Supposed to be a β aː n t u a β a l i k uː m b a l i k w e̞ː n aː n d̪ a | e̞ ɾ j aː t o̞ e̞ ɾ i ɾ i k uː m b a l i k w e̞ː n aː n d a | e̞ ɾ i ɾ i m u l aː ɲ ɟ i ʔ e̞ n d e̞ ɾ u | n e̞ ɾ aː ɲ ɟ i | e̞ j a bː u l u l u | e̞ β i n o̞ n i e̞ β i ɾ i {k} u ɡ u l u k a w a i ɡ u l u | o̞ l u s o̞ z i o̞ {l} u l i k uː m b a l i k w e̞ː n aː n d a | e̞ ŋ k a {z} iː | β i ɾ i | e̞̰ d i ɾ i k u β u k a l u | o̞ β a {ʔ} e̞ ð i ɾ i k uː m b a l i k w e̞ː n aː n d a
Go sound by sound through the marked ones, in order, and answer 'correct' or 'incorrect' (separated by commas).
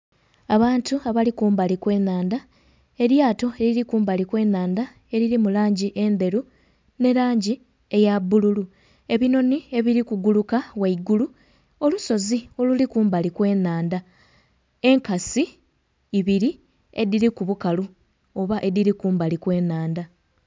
correct, correct, incorrect, correct